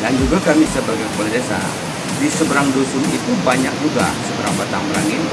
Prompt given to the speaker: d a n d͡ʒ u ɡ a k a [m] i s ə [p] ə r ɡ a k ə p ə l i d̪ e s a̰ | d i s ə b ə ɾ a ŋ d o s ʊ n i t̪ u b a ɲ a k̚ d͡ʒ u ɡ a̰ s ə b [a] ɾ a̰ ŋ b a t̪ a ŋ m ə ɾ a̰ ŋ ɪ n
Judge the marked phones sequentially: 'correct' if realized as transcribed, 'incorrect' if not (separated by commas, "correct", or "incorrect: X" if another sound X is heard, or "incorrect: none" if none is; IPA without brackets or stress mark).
correct, incorrect: b, incorrect: ə